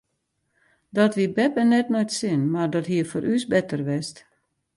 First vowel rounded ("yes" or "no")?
yes